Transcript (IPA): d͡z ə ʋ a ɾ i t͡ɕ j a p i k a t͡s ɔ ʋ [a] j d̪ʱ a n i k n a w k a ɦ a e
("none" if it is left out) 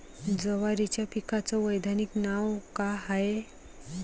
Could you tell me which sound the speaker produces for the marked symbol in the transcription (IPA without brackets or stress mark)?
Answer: ə